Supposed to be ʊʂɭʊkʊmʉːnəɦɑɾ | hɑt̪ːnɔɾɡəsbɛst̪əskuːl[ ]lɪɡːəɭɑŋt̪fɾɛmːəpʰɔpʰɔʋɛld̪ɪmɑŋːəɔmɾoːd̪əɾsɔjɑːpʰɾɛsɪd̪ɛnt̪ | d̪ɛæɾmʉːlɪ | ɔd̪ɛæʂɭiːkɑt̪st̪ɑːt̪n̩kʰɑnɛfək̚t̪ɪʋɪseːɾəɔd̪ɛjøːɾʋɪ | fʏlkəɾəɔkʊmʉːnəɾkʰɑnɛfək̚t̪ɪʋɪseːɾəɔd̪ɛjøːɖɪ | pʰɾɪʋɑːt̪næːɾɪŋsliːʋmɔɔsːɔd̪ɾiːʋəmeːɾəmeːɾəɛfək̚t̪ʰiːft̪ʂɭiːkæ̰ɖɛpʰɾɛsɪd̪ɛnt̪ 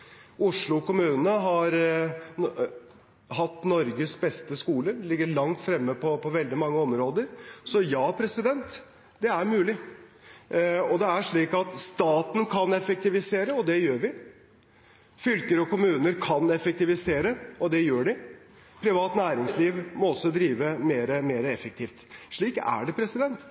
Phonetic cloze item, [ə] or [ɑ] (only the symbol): ə